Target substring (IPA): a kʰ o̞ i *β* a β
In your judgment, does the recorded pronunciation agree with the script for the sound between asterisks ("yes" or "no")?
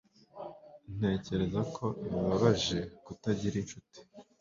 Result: yes